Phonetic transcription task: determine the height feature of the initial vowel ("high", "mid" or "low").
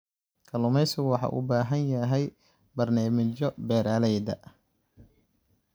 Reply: low